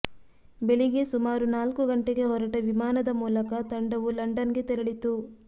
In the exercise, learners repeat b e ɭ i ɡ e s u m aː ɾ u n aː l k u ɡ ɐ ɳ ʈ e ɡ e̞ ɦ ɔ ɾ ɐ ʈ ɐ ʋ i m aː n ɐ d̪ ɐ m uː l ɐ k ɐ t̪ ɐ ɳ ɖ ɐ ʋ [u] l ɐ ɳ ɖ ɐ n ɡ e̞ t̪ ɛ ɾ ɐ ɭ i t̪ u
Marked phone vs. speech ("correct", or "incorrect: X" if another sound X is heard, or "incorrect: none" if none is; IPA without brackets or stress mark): correct